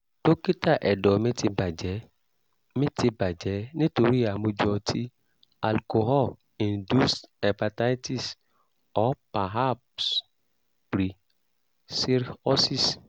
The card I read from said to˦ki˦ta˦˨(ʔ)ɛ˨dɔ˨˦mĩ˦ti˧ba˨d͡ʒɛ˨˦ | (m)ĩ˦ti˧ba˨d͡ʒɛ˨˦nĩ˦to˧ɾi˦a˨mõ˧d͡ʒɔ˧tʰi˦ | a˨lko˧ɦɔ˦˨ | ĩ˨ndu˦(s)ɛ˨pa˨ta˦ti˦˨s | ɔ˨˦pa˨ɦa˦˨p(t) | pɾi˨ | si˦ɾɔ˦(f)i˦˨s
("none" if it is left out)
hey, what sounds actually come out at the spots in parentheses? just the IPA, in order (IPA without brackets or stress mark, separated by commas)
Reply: ʔ, m, s, s, s